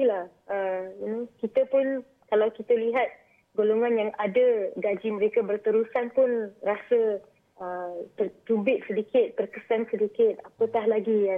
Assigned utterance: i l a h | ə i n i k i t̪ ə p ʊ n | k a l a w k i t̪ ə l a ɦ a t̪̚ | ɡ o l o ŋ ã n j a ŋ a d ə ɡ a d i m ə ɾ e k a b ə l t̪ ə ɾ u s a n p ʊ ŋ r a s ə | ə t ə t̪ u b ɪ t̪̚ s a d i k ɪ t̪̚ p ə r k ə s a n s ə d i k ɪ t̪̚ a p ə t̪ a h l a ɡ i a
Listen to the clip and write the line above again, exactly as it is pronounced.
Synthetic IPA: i l a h | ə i n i k i t̪ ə p ʊ n | k a l a w k i t̪ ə l i ɦ a t̪̚ | ɡ o l o ŋ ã n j a ŋ a d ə ɡ a d͡ʒ i m ə ɾ e k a b ə r t̪ ə ɾ u s a n p ʊ n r a s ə | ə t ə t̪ u b ɪ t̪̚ s ə d i k ɪ t̪̚ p ə r k ə s a n s ə d i k ɪ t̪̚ a p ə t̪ a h l a ɡ i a